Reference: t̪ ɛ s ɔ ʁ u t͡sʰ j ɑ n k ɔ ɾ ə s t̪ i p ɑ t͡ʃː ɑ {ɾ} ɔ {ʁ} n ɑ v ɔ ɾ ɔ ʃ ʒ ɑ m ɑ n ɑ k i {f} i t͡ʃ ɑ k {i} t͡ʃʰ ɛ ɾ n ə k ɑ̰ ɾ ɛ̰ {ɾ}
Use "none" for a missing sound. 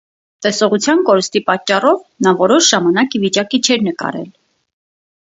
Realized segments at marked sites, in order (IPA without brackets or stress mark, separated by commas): r, v, v, i, l